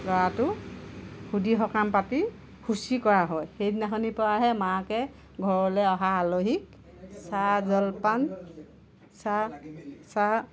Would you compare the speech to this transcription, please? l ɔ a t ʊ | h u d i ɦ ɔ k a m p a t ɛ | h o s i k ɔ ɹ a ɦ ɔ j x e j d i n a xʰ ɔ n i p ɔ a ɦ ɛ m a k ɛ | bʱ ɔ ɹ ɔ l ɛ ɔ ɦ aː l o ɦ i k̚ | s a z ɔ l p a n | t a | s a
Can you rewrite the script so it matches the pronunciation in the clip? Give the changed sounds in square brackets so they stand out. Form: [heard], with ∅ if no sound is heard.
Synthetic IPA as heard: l ɔ a t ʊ | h u d i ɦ ɔ k a m p a t [i] | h [u] s i k ɔ ɹ a ɦ ɔ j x e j d i n a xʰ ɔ n i p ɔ a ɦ ɛ m a k ɛ | [ɡʱ] ɔ ɹ ɔ l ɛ ɔ ɦ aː l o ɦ i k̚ | s a z ɔ l p a n | [s] a | s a